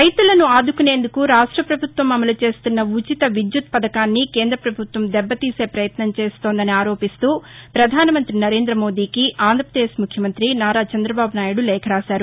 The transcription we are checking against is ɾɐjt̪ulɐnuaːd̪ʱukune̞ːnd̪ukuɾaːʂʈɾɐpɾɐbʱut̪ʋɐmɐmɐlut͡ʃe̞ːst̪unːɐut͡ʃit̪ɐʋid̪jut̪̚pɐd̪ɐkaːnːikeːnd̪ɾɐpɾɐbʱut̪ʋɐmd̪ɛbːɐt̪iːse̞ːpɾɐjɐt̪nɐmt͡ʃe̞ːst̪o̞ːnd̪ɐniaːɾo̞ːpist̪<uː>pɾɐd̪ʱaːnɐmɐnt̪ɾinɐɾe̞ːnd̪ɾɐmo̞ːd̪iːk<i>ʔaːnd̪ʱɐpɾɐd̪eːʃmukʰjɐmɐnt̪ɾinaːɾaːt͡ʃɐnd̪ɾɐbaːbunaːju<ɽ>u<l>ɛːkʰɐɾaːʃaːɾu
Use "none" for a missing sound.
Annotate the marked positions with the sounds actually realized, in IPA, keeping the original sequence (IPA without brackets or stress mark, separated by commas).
uː, i, ɽ, l